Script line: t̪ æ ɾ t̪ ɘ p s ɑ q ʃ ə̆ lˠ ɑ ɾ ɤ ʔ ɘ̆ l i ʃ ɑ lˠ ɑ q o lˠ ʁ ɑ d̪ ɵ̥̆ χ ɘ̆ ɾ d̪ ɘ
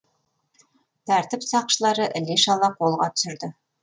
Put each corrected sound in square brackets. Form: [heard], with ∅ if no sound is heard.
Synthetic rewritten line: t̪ æ ɾ t̪ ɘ p s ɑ q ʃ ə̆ lˠ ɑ ɾ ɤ ʔ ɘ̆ l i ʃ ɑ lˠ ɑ q o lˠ ʁ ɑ [t̪] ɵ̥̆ [s] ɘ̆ ɾ d̪ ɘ